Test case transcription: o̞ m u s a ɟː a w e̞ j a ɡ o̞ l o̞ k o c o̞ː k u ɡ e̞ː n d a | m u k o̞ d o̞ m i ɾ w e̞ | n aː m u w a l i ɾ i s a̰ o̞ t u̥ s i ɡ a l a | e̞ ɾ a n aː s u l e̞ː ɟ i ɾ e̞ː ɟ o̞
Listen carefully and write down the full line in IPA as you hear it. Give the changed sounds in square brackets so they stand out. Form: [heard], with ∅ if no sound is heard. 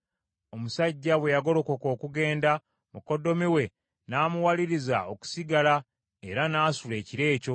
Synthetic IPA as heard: o̞ m u s a ɟː a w e̞ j a ɡ o̞ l o̞ k o [k] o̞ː k u ɡ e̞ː n d a | m u k o̞ d o̞ m i [∅] w e̞ | n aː m u w a l i ɾ i [z] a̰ o̞ [k] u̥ s i ɡ a l a | e̞ ɾ a n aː s u l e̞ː [c] i ɾ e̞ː [c] o̞